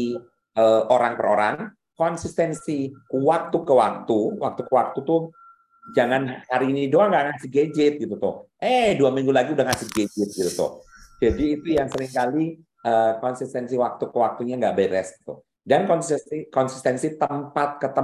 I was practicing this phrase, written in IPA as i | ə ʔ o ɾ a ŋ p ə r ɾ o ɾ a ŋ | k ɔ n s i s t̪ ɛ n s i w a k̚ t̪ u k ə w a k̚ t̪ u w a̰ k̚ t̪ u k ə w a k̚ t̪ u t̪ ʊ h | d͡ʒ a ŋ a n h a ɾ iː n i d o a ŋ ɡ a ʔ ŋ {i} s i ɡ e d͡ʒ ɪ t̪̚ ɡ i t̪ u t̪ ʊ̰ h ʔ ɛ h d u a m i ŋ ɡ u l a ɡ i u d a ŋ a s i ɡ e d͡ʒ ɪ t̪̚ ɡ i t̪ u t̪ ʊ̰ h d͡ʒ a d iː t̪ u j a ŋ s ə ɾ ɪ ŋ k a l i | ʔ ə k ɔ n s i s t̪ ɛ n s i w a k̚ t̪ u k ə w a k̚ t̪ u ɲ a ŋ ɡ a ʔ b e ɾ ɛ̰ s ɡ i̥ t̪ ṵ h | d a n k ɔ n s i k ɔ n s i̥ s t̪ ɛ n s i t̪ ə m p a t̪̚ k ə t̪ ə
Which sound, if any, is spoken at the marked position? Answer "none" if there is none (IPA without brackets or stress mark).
a